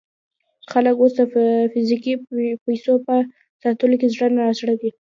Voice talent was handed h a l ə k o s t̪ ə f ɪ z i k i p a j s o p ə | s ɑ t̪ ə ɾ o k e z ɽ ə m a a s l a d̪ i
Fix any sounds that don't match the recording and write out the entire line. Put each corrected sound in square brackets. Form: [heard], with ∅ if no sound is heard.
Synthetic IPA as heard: [x] a l ə k o s [d̪] ə f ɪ z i k i p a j s o p ə | s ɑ t̪ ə [l] o k e z ɽ ə [n] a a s [ɽ] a d̪ i